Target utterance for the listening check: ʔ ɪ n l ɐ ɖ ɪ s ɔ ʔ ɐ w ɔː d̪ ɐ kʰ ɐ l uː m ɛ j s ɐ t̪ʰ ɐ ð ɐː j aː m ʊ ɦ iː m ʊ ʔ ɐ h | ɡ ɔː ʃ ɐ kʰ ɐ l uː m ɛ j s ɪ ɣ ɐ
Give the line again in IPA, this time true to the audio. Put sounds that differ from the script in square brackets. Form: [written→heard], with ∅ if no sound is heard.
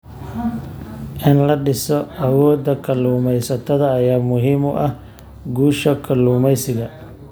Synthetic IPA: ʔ ɪ n l ɐ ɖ ɪ s ɔ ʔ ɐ w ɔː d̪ ɐ kʰ ɐ l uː m ɛ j s ɐ t̪ʰ ɐ ð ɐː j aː m ʊ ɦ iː m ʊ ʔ ɐ h | ɡ [ɔː→uː] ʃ ɐ kʰ ɐ l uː m ɛ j s ɪ ɣ ɐ

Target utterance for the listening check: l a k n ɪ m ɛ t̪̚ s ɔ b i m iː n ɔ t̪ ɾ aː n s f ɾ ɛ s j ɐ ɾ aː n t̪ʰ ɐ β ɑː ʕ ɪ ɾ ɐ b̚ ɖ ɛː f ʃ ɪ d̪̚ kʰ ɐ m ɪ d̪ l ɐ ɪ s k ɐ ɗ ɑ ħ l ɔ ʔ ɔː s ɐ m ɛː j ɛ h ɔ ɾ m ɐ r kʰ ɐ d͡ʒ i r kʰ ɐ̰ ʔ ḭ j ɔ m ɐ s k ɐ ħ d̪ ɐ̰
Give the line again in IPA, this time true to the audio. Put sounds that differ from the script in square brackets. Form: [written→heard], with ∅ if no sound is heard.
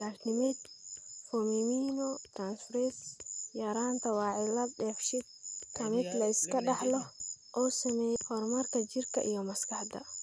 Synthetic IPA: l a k n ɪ m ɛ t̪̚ [s→f] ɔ [b→m] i m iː n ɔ t̪ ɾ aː n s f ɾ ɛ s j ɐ ɾ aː n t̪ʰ ɐ [β→w] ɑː ʕ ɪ [ɾ→l] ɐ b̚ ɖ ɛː f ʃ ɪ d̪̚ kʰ ɐ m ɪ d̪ l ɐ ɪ s k ɐ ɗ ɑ ħ l ɔ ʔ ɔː s ɐ m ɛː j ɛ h ɔ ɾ m ɐ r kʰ ɐ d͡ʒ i r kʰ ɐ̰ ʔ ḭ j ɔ m ɐ s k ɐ ħ d̪ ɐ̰

